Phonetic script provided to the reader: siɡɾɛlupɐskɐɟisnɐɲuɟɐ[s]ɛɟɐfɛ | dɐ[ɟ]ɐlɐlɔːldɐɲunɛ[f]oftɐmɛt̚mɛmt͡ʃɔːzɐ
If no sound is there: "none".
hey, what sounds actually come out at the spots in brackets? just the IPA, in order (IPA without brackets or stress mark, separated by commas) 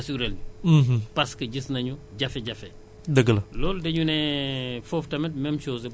f, ɡ, f